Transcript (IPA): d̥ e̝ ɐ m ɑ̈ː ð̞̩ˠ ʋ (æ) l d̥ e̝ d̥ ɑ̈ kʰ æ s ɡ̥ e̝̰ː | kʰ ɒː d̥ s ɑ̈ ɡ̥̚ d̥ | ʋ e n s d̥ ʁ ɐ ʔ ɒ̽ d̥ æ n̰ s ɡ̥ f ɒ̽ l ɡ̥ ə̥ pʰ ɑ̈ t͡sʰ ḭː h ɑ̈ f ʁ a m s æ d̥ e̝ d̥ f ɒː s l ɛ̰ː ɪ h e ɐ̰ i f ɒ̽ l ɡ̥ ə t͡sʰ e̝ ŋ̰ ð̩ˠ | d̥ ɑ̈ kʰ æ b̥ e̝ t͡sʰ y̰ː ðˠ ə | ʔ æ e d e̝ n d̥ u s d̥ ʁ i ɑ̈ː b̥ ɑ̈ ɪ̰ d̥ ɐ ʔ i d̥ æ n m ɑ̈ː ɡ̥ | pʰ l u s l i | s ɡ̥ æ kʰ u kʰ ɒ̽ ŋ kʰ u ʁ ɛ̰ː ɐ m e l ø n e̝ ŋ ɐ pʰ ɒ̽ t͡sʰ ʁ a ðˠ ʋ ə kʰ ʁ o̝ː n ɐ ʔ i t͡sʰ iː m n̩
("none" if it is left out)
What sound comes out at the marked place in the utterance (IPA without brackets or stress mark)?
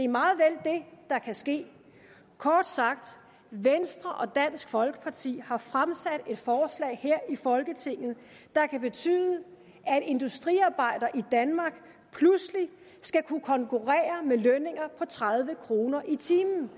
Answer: e